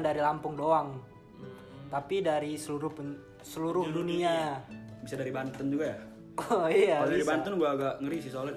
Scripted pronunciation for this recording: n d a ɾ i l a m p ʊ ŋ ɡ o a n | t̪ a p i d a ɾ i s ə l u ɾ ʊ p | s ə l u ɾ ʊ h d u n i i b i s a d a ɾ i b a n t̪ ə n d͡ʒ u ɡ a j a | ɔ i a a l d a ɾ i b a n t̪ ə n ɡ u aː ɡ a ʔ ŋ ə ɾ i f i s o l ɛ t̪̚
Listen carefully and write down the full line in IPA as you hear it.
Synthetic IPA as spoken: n d a ɾ i l a m p ʊ ŋ d o a ŋ | t̪ a p i d a ɾ i s ə l u ɾ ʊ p | s ə l u ɾ ʊ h d u n i a b i s a d a ɾ i b a n t̪ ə n d͡ʒ u ɡ a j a | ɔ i a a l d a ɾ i b a n t̪ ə n ɡ u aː ɡ a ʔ ŋ ə ɾ i s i s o l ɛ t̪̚